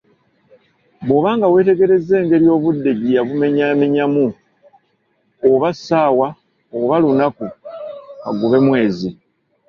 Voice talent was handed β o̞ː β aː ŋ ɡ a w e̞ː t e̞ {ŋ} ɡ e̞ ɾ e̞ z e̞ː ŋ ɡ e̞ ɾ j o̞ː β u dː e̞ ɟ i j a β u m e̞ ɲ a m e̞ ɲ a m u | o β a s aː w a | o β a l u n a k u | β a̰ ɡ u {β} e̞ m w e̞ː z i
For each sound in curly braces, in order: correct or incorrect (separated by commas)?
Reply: incorrect, correct